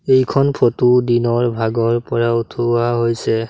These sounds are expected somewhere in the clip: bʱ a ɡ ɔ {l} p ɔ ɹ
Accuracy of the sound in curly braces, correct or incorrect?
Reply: incorrect